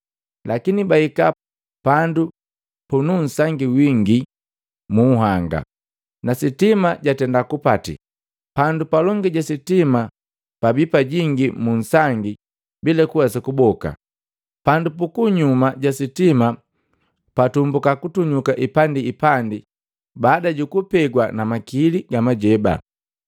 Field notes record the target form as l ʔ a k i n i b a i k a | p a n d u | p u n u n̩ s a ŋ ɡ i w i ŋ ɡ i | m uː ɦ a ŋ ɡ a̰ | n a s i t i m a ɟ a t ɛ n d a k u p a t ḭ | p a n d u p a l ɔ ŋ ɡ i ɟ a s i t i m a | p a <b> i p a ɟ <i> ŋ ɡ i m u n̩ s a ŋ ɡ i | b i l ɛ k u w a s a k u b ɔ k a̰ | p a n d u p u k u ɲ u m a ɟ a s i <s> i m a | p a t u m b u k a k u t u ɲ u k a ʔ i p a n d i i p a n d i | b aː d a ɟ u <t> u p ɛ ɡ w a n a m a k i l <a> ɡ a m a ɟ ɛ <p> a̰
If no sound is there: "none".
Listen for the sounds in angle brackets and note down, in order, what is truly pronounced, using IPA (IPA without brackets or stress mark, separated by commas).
b, i, t, k, i, b